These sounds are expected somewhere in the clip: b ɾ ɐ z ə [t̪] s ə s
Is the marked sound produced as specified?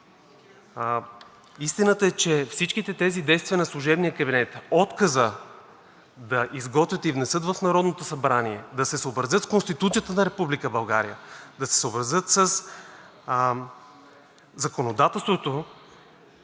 yes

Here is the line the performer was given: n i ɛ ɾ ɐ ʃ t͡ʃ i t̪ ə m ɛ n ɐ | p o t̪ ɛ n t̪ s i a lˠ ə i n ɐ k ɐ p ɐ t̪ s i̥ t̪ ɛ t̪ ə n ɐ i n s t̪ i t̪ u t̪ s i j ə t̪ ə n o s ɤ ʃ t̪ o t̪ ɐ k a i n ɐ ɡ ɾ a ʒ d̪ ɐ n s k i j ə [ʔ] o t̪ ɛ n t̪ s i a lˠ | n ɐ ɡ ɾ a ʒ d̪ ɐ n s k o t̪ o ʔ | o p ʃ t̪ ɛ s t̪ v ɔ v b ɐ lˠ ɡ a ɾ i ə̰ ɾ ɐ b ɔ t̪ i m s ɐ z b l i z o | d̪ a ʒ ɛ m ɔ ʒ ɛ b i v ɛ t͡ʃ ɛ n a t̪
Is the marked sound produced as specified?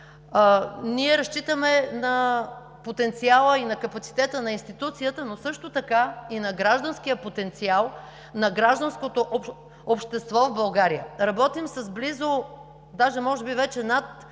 no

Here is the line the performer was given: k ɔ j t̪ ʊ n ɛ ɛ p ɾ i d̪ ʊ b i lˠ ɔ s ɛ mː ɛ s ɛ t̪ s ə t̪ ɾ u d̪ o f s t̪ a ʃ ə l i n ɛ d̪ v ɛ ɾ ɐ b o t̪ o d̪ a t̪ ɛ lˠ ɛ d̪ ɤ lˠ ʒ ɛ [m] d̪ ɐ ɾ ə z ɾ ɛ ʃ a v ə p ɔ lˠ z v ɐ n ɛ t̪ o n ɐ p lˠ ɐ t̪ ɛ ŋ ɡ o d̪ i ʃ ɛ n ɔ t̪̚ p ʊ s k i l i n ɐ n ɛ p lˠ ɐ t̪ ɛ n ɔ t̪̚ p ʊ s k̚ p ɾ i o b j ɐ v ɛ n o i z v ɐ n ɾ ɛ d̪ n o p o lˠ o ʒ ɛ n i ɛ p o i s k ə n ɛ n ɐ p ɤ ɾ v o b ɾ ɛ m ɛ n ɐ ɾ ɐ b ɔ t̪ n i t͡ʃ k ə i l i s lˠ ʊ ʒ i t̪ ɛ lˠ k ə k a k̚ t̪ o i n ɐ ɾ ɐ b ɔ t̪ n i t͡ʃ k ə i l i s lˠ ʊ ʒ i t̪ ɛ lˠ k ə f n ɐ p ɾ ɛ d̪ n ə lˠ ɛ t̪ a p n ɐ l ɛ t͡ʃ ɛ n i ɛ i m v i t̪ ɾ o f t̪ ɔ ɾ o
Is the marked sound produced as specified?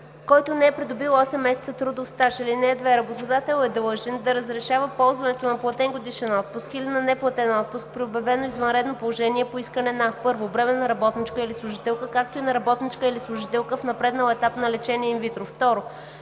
no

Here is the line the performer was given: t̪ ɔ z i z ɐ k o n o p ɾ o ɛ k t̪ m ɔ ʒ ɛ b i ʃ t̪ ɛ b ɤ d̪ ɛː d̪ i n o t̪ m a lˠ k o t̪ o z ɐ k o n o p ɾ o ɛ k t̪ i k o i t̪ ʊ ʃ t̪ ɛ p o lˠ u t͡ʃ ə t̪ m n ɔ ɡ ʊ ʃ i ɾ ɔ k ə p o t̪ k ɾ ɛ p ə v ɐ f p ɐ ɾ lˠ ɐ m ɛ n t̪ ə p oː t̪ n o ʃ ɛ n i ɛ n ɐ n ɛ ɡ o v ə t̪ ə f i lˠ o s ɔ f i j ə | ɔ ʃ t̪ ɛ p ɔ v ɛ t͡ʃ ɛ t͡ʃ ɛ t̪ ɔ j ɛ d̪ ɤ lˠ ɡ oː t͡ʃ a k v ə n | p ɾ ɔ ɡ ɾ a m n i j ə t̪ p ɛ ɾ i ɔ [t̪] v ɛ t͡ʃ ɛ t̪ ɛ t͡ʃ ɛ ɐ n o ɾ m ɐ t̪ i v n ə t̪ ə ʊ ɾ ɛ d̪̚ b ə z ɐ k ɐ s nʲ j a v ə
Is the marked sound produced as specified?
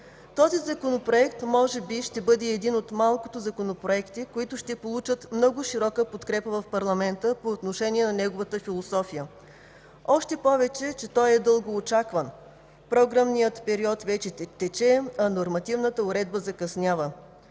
yes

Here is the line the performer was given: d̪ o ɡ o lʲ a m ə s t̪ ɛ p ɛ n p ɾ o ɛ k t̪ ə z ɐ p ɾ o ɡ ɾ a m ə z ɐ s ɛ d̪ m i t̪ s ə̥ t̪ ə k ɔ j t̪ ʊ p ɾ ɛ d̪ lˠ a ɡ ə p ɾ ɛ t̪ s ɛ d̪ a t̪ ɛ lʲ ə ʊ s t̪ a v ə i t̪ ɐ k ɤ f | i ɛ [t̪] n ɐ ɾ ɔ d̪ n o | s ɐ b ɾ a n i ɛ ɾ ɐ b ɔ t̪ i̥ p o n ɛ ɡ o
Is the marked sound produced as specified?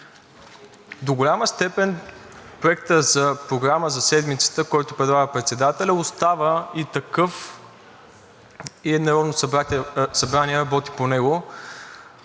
no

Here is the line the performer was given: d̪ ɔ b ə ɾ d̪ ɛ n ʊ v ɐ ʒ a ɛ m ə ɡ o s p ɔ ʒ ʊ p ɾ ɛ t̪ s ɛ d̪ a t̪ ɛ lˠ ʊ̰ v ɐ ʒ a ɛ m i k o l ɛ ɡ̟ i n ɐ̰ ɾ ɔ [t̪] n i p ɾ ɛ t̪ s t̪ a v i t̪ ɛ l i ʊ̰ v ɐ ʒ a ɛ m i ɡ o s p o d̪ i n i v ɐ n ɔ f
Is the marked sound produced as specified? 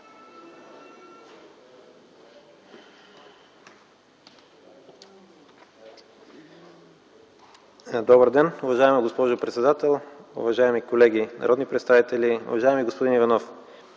no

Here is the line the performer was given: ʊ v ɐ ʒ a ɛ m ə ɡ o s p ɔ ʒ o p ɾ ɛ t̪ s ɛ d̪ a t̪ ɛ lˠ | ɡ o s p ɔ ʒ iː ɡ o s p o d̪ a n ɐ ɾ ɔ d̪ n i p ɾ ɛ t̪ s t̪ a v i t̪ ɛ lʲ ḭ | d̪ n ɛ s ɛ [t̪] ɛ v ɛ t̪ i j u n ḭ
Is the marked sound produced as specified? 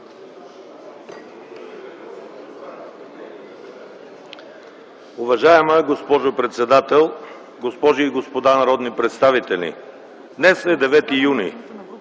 no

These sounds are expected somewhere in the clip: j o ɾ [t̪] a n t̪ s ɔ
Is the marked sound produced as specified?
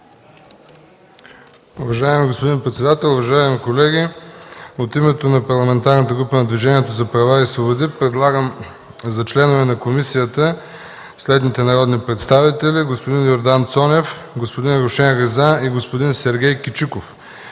no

